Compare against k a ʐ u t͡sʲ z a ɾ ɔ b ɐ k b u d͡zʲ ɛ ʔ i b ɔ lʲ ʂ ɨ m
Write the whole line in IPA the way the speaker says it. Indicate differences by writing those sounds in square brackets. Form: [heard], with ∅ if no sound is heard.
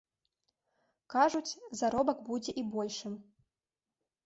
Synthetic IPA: k a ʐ u t͡sʲ z a ɾ ɔ b ɐ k b u d͡zʲ ɛ ʔ i b ɔ lʲ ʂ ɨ m